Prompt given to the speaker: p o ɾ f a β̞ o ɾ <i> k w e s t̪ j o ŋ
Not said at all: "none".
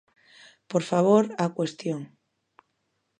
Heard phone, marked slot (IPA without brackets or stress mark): a